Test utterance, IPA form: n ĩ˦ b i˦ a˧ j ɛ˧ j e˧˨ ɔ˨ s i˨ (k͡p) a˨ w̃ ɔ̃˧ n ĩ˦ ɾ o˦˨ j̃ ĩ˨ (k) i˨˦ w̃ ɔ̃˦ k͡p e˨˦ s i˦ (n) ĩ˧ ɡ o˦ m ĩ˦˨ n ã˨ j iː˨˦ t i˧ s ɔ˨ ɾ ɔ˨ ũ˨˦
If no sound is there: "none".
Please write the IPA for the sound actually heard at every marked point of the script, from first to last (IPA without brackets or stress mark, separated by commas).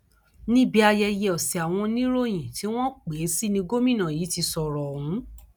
none, t, n